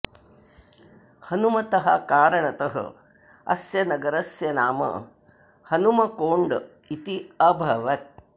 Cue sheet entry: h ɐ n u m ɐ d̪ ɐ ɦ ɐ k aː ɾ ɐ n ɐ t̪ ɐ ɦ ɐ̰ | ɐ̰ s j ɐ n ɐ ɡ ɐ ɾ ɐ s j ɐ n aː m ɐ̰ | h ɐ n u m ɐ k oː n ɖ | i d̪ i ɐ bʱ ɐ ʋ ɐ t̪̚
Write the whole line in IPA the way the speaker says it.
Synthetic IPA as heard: h ɐ n u m ɐ t̪ ɐ ɦ ɐ k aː ɾ ɐ ɳ ɐ t̪ ɐ ɦ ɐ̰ | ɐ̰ s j ɐ n ɐ ɡ ɐ ɾ ɐ s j ɐ n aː m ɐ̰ | h ɐ n u m ɐ k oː ɳ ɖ | i t̪ i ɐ bʱ ɐ ʋ ɐ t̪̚